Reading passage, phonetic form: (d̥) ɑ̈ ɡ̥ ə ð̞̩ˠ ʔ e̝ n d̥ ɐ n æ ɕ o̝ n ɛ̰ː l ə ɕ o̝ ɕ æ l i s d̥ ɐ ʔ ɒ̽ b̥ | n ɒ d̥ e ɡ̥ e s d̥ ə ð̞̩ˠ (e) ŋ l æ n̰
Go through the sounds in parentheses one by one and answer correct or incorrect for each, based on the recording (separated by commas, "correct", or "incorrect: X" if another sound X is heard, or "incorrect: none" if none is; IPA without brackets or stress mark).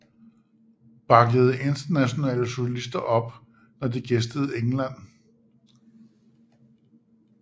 incorrect: b̥, correct